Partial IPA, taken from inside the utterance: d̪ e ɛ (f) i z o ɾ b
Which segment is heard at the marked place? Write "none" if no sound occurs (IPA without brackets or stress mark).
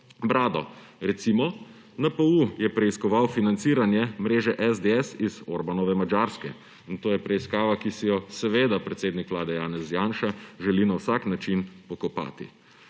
s